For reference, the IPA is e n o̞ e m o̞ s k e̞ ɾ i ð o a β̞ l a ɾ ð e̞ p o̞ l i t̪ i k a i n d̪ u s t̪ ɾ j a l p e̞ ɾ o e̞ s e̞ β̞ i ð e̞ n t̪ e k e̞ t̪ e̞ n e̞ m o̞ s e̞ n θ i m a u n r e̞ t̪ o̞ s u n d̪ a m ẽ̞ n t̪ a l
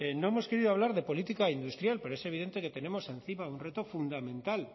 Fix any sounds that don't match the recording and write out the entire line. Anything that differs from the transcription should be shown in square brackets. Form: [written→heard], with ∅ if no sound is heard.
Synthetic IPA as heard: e n o̞ e m o̞ s k e̞ ɾ i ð o a β̞ l a ɾ ð e̞ p o̞ l i t̪ i k a i n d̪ u s t̪ ɾ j a l p e̞ ɾ o e̞ s e̞ β̞ i ð e̞ n t̪ e k e̞ t̪ e̞ n e̞ m o̞ s e̞ n θ i m a u n r e̞ t̪ o̞ [s→f] u n d̪ a m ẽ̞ n t̪ a l